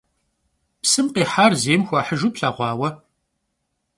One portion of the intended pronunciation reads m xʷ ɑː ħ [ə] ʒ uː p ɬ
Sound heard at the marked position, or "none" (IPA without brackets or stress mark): ə